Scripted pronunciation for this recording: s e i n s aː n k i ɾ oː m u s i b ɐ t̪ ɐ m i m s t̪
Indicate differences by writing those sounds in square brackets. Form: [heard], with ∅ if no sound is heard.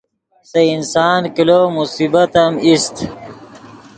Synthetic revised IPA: s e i n s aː n k i [l] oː m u s i b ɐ t̪ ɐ m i [∅] s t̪